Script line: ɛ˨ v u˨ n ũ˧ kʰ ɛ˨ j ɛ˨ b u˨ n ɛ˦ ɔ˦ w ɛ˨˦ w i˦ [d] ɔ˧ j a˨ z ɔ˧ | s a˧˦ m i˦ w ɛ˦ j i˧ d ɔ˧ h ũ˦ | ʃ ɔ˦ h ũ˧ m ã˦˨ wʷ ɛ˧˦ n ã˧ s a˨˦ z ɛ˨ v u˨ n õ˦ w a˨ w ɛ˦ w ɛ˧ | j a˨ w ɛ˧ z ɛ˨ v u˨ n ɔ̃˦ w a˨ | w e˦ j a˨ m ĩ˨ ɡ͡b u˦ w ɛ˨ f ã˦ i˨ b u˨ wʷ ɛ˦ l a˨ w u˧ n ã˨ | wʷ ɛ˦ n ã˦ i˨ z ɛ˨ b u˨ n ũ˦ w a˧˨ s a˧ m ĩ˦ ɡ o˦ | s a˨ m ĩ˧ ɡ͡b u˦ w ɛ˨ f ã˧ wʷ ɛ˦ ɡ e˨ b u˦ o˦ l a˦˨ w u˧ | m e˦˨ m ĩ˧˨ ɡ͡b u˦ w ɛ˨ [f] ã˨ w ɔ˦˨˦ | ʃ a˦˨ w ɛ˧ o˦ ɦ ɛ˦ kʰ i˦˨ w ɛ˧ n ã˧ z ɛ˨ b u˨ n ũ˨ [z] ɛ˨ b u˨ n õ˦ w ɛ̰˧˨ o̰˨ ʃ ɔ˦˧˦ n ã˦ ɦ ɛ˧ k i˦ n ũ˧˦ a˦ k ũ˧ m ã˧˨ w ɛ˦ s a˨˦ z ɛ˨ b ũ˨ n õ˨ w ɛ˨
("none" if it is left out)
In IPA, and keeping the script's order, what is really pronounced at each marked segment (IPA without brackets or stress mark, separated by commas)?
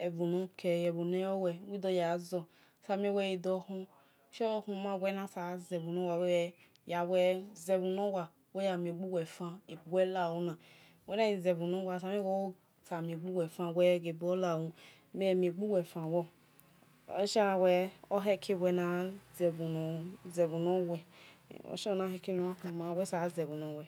d, f, z